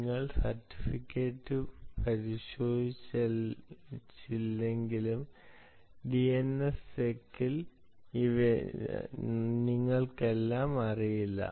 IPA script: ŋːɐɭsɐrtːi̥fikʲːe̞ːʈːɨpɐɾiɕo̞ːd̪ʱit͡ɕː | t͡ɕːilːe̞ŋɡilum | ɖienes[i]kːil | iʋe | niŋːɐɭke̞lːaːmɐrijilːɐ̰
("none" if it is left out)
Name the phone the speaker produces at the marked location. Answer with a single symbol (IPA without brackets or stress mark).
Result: e